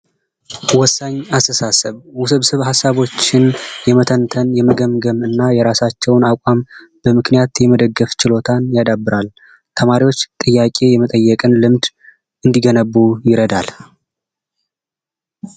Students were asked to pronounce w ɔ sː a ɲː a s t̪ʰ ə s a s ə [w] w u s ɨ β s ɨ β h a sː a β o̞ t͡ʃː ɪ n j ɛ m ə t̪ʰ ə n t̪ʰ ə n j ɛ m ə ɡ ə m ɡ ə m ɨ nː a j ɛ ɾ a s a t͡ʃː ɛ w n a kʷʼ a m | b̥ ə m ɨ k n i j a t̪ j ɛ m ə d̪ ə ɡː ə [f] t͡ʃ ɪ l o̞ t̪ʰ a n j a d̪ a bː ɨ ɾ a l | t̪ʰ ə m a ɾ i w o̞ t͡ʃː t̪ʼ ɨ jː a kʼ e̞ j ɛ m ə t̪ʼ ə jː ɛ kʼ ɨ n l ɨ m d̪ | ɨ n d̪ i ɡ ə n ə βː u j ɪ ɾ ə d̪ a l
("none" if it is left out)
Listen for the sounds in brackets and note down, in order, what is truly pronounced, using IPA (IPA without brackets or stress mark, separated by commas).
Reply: β, f